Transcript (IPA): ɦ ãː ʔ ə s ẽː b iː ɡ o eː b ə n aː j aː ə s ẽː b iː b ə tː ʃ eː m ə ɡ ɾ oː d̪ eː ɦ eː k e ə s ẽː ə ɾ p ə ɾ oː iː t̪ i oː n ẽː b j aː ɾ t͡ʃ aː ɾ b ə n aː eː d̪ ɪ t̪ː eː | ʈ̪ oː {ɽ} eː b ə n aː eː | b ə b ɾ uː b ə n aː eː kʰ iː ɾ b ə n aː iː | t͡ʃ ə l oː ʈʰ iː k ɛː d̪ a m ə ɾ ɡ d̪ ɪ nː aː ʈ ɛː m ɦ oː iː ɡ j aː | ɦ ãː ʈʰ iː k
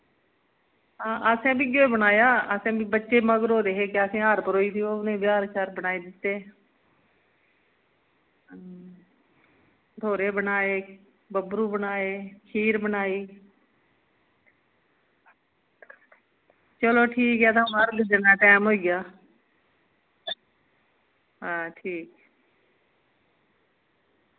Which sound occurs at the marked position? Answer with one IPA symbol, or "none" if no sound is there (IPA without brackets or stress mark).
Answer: ɾ